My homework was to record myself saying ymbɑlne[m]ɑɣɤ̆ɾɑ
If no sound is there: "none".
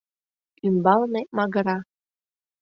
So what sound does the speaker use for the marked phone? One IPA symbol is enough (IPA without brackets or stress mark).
m